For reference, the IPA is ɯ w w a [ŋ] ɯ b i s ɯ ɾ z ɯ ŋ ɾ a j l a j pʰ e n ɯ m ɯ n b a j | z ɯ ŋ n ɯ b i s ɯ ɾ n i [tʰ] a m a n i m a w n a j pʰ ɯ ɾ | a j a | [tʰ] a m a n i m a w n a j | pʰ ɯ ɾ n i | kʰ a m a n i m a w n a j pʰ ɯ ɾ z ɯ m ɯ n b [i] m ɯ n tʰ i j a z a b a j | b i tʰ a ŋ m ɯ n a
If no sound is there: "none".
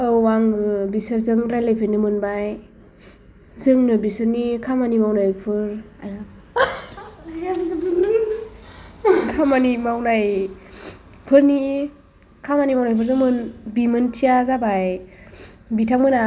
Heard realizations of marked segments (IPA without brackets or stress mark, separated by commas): ŋ, kʰ, kʰ, i